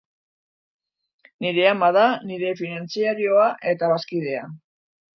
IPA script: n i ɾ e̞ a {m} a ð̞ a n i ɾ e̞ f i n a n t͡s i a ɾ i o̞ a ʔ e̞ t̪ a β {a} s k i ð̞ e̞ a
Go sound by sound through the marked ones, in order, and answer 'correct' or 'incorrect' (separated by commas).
correct, correct